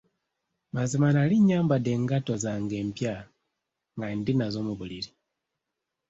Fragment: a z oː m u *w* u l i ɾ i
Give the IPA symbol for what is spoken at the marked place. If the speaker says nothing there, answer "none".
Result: β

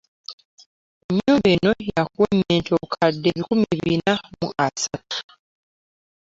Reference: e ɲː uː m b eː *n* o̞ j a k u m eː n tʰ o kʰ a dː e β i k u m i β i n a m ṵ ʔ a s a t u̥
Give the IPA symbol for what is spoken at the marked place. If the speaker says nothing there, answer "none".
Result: n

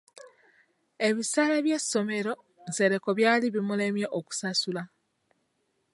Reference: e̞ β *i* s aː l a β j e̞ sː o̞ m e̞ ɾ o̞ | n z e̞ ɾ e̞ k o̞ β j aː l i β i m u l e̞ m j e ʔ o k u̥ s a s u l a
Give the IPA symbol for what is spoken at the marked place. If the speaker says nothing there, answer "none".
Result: i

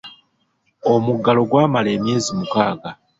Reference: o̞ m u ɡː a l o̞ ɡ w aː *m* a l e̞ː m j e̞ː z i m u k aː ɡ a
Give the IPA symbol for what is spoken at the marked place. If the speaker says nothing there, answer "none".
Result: m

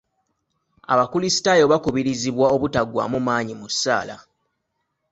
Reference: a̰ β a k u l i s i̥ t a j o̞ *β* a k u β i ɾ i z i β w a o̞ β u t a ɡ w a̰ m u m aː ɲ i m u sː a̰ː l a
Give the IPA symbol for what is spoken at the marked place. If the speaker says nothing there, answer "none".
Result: β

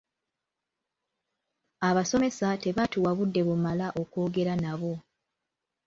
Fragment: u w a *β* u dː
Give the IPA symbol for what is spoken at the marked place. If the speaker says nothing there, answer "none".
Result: β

